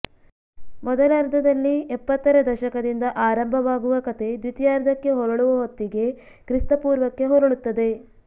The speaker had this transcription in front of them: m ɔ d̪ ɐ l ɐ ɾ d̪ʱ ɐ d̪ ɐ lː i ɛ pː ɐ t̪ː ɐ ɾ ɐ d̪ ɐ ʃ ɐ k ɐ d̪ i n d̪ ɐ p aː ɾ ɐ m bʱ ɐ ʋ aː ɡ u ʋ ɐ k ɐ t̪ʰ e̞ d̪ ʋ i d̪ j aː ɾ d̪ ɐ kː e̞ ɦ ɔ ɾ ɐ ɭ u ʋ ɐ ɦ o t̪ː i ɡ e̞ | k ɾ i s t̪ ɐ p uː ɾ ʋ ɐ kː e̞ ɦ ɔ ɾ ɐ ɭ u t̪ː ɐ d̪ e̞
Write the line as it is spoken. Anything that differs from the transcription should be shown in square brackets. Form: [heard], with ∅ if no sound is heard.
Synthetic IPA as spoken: m ɔ d̪ ɐ l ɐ ɾ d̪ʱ ɐ d̪ ɐ lː i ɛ pː ɐ t̪ː ɐ ɾ ɐ d̪ ɐ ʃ ɐ k ɐ d̪ i n d̪ ɐ [ʔ] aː ɾ ɐ m bʱ ɐ ʋ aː ɡ u ʋ ɐ k ɐ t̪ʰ e̞ d̪ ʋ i [t̪] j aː ɾ d̪ ɐ kː e̞ ɦ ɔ ɾ ɐ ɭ u ʋ ɐ ɦ o t̪ː i ɡ e̞ | k ɾ i s t̪ ɐ p uː ɾ ʋ ɐ kː e̞ ɦ ɔ ɾ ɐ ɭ u t̪ː ɐ d̪ e̞